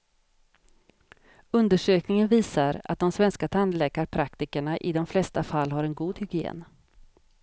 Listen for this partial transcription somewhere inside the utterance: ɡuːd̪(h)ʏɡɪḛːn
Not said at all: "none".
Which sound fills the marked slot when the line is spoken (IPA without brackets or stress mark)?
h